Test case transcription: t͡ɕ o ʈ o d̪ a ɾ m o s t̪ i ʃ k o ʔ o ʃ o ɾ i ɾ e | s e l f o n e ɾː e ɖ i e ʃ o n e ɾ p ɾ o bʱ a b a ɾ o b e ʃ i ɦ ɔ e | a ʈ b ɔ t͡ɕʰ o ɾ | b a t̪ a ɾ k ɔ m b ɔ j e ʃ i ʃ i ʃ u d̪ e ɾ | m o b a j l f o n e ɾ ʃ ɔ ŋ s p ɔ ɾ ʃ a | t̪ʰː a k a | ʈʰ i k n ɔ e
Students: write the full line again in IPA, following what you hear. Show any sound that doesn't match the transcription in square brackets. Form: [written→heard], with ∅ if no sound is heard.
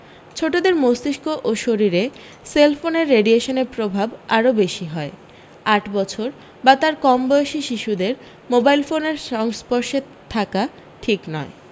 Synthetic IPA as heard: [t͡ɕ→t͡ɕʰ] o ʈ o d̪ [a→e] ɾ m o s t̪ i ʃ k o ʔ o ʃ o ɾ i ɾ e | s e l f o n e ɾː e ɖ i e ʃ o n e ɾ p ɾ o bʱ a b a ɾ o b e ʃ i ɦ ɔ e | a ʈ b ɔ t͡ɕʰ o ɾ | b a t̪ a ɾ k ɔ m b ɔ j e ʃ i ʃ i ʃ u d̪ e ɾ | m o b a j l f o n e ɾ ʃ ɔ ŋ s p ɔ ɾ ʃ [a→e] | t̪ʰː a k a | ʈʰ i k n ɔ e